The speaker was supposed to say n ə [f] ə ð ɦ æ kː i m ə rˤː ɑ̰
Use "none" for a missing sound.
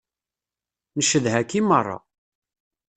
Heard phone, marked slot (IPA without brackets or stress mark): ʃ